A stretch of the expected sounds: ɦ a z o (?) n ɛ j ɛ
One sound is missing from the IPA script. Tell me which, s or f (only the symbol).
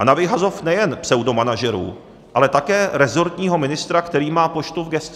f